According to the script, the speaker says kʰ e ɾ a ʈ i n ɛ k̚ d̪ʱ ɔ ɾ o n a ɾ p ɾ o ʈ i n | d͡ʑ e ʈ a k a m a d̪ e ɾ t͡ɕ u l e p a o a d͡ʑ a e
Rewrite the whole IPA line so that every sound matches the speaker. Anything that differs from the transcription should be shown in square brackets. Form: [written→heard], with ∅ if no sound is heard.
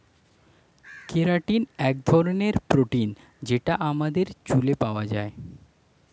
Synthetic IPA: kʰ e ɾ a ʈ i n ɛ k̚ d̪ʱ ɔ ɾ o n [a→e] ɾ p ɾ o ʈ i n | d͡ʑ e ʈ a [k→ʔ] a m a d̪ e ɾ t͡ɕ u l e p a o a d͡ʑ a e